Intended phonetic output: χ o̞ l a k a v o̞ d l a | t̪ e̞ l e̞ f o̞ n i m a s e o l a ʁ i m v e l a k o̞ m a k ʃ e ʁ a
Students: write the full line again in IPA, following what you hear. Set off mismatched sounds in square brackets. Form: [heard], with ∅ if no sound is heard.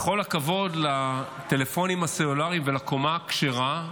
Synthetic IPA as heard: χ o̞ l a k a v o̞ d l a | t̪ e̞ l e̞ f o̞ n i m a s e o l a ʁ i m v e l a k o̞ m a k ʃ e ʁ a